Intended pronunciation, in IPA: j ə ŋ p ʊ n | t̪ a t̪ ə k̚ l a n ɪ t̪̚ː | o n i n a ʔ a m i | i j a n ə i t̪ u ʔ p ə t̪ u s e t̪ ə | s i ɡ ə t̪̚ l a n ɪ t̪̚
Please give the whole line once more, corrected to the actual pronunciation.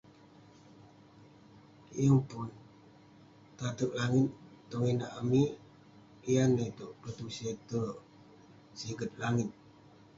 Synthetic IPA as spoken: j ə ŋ p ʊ n | t̪ a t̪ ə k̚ l a ŋ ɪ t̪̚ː | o ŋ i n a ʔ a m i | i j a n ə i t̪ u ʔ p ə t̪ u s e t̪ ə | s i ɡ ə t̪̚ l a ŋ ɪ t̪̚